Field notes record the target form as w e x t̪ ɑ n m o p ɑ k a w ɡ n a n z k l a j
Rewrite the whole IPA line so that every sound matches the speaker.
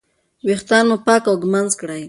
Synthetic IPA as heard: w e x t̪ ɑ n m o p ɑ k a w ɡ m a n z k ɽ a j